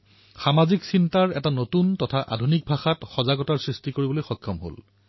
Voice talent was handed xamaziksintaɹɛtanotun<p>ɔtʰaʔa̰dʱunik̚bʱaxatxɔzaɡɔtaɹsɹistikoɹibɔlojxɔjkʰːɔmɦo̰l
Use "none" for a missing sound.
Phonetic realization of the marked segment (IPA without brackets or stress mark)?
t